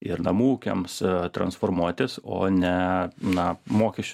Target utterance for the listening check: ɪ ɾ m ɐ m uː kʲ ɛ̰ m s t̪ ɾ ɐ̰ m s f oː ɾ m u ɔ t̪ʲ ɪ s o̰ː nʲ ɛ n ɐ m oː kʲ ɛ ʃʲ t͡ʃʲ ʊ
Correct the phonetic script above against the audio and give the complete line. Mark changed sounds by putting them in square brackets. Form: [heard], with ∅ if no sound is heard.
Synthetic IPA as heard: ɪ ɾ [n] ɐ m uː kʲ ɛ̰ m s t̪ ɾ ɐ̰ [n] s f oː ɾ m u ɔ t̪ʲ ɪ s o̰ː nʲ ɛ n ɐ m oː kʲ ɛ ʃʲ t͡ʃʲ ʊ